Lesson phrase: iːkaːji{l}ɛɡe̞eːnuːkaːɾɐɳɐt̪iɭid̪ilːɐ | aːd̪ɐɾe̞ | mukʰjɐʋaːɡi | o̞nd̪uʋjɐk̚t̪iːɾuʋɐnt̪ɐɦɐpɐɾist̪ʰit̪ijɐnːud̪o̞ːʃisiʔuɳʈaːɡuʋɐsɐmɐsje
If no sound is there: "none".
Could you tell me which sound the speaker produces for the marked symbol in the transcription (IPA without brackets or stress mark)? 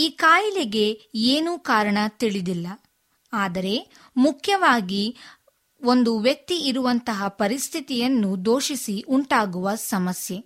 l